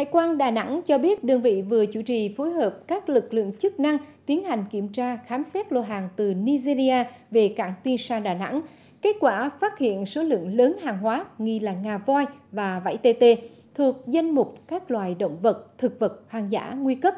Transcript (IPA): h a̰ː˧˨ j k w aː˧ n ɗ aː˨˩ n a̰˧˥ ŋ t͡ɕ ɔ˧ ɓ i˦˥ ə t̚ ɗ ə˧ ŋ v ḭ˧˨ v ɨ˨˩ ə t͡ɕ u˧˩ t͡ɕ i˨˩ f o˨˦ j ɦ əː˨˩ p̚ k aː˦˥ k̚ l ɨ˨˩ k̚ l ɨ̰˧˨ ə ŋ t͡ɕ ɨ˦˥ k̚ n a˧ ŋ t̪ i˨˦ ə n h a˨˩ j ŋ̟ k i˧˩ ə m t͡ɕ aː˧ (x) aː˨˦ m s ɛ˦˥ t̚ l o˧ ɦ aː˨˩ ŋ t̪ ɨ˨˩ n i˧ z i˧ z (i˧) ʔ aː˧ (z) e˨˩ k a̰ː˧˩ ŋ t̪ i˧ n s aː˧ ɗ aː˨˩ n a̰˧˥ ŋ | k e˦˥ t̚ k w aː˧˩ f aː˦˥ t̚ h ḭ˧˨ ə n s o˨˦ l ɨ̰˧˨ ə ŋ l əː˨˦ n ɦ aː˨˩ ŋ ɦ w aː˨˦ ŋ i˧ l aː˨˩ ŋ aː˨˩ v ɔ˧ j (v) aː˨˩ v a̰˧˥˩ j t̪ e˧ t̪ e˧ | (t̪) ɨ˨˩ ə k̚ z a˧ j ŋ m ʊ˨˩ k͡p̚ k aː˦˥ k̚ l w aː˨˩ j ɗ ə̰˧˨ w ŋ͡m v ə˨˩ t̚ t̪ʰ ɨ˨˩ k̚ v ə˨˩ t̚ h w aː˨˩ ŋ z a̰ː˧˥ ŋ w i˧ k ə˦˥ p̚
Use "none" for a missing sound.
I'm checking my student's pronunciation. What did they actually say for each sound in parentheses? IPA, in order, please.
x, i˧, v, v, t̪ʰ

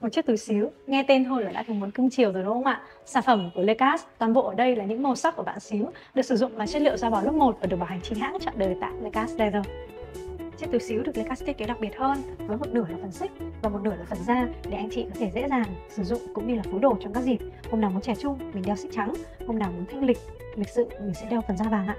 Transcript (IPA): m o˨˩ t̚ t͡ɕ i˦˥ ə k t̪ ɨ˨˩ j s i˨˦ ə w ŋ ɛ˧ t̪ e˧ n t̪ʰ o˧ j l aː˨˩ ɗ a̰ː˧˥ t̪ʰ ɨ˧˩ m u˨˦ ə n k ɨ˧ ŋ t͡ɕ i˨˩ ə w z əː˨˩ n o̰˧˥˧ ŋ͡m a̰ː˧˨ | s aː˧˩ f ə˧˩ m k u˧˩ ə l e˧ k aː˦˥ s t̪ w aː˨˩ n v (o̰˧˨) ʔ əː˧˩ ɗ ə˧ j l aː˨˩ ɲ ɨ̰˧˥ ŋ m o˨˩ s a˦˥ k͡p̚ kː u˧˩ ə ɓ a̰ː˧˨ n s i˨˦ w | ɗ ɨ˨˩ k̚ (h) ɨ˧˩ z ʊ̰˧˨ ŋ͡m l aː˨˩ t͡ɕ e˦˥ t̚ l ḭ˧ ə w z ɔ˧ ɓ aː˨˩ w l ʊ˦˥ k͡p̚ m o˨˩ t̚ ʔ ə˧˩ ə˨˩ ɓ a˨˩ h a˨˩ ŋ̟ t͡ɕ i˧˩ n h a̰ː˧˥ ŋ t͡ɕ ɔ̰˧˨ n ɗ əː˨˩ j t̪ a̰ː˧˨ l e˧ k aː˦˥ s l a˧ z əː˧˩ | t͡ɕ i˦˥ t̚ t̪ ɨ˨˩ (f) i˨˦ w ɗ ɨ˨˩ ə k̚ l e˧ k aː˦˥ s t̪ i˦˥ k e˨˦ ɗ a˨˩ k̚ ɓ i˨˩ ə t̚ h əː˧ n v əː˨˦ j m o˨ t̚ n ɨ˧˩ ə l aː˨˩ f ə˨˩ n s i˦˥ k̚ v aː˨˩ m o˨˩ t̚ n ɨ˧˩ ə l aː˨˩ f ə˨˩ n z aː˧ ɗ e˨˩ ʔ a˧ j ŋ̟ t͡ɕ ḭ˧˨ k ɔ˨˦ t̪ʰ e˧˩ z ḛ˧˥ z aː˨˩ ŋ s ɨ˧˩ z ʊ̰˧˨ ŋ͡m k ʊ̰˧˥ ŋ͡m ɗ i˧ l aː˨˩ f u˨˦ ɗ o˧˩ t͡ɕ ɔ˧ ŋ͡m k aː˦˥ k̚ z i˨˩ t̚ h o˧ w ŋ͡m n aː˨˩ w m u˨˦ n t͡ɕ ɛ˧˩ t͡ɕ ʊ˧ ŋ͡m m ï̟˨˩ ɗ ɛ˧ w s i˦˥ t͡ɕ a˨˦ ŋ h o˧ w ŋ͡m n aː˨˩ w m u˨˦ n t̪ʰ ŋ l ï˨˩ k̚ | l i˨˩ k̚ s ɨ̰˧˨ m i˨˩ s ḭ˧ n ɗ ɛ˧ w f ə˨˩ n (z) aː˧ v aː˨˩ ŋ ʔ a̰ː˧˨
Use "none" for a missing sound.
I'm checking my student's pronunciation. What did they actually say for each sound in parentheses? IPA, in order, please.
o̰˧˨, s, s, z

